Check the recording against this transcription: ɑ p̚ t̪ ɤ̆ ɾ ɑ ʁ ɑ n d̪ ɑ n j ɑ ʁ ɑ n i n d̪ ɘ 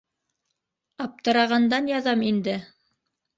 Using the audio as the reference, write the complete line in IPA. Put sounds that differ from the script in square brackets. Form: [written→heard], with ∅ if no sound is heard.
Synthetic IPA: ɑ p̚ t̪ ɤ̆ ɾ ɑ ʁ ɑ n d̪ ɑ n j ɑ [ʁ→ð] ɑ [n→m] i n d̪ ɘ